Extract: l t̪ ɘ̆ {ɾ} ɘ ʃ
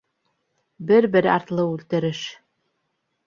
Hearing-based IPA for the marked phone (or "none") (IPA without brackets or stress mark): ɾ